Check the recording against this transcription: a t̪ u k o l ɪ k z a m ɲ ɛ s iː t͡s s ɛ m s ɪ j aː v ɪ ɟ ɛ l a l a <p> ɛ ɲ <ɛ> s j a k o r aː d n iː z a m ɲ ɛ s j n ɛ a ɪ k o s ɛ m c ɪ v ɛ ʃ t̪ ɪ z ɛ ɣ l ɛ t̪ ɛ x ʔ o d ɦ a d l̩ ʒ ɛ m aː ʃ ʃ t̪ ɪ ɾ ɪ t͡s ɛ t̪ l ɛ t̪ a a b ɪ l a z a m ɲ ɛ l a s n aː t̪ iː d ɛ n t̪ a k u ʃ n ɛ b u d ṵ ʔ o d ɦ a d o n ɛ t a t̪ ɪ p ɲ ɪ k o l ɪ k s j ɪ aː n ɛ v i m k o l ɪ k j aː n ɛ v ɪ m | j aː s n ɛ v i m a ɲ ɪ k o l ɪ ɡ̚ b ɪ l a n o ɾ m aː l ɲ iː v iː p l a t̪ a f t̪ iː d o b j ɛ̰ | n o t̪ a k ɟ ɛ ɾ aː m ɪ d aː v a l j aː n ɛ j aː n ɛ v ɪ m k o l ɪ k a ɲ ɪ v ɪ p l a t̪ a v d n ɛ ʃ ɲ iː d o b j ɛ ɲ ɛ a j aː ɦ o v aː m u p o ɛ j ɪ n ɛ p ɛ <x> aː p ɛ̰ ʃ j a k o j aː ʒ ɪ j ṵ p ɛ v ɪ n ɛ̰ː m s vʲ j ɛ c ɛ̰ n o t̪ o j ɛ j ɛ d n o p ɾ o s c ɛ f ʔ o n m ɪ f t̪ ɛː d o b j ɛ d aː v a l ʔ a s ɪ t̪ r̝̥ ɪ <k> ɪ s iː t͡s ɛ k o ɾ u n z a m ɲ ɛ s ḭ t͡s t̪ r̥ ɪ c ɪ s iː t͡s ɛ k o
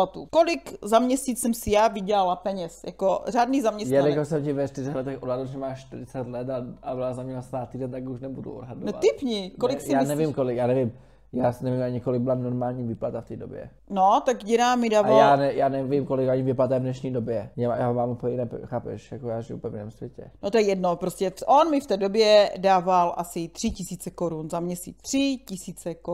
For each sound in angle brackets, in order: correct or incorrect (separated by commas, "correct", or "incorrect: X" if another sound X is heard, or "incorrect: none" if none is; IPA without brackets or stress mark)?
correct, correct, correct, incorrect: c